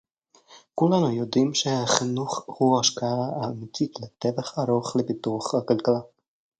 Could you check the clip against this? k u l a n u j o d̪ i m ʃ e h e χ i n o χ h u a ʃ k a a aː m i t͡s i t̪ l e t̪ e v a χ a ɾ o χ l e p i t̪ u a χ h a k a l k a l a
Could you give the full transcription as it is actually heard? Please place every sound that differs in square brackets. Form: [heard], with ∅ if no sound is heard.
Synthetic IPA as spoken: k u l a n u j o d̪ i m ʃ e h [a] χ i n [u] χ h u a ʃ k a a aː m i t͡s i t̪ l e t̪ e v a χ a ɾ o χ l e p i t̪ u a χ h a k a l k a l a